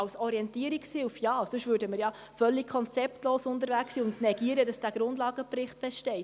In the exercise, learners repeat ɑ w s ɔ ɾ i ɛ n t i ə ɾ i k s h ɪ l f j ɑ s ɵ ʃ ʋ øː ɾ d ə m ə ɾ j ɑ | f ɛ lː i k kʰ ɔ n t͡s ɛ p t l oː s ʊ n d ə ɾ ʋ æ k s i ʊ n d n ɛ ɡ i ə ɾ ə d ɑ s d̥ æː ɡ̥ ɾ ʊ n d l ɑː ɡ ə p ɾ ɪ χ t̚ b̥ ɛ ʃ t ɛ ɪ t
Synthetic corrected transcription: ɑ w s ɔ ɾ i ɛ n t i ə ɾ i k s h ɪ l f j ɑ s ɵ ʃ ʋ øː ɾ d ə m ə ɾ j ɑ | f œ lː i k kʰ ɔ n t͡s ɛ p t l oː s ʊ n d ə ɾ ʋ æ k s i ʊ n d n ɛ ɡ i ə ɾ ə d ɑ s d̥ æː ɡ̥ ɾ ʊ n d l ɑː ɡ ə p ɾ ɪ χ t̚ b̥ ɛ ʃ t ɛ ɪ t

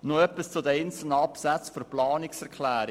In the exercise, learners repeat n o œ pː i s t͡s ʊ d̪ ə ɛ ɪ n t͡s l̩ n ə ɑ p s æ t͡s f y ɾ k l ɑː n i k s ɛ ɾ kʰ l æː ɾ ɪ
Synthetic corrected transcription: n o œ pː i s t͡s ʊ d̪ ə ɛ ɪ n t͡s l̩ n ə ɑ p s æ t͡s f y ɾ p l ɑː n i k s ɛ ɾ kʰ l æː ɾ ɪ

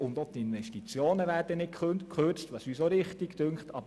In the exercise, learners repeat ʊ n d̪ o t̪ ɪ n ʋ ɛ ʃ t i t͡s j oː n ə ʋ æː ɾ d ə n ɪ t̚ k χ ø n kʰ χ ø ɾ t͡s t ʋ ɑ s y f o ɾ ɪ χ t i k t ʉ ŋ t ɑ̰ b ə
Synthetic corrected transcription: ʊ n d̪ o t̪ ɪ n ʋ ɛ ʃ t i t͡s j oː n ə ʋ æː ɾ d ə n ɪ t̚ k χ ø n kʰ χ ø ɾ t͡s t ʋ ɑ s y s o ɾ ɪ χ t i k t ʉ ŋ t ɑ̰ b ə

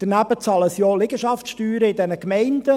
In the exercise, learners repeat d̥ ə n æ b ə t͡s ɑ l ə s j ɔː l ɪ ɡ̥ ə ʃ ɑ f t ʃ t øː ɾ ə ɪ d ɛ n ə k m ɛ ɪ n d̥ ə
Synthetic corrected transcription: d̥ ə n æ b ə t͡s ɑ l ə s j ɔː l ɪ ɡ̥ ə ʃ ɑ f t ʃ t yː ɾ ə ɪ d ɛ n ə k m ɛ ɪ n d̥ ə

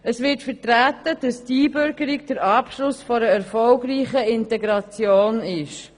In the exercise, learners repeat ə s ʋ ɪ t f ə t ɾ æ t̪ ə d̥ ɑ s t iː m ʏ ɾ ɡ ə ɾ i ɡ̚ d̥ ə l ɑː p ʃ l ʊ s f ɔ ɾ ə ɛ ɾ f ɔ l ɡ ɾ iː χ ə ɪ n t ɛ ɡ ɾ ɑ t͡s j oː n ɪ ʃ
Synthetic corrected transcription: ə s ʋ ɪ t f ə t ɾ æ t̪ ə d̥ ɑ s t iː b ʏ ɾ ɡ ə ɾ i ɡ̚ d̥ ə ɾ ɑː p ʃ l ʊ s f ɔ ɾ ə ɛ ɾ f ɔ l ɡ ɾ iː χ ə ɪ n t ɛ ɡ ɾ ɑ t͡s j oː n ɪ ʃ

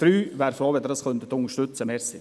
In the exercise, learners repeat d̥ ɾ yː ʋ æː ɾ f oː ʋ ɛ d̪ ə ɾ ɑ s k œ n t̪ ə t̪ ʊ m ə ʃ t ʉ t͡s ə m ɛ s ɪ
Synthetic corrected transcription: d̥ ɾ yː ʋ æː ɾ f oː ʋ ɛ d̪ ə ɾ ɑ s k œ n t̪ ə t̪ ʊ ŋ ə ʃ t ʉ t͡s ə m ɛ s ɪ

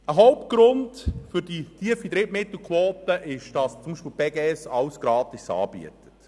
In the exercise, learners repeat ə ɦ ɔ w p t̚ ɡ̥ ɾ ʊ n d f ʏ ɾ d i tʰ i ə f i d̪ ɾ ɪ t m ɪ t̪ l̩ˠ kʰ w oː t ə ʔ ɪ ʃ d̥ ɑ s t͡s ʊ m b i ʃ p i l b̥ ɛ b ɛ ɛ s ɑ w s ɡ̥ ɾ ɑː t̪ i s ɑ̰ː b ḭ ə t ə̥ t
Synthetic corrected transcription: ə ɦ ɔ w p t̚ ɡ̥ ɾ ʊ n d f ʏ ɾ d i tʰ i ə f i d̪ ɾ ɪ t m ɪ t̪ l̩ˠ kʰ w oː t ə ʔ ɪ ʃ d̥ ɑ s t͡s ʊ m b i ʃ p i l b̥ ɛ ɡ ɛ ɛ s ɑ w s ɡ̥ ɾ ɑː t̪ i s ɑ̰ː b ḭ ə t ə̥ t

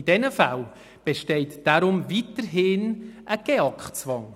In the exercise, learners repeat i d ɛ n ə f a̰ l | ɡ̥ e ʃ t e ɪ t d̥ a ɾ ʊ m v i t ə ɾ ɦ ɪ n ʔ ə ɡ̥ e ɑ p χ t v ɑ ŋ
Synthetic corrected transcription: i d ɛ n ə f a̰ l | b̥ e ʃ t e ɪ t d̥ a ɾ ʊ m v i t ə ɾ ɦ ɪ n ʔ ə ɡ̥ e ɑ k χ t͡s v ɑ ŋ

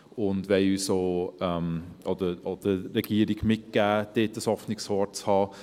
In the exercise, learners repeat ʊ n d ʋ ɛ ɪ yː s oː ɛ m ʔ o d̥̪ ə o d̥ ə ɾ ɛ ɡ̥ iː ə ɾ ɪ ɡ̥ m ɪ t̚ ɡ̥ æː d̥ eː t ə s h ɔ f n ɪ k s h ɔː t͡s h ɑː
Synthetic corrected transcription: ʊ n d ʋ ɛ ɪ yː s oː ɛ m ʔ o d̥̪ ə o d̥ ə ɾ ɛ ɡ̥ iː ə ɾ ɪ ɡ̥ m ɪ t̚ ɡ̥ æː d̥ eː t ə s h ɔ f n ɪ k s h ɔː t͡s h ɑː

